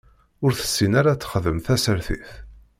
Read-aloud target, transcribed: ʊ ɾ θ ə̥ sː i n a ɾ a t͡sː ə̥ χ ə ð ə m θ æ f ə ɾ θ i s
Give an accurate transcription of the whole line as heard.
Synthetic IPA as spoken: ʊ ɾ θ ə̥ sː i n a ɾ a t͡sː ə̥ χ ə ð ə m θ æ s ə ɾ θ i θ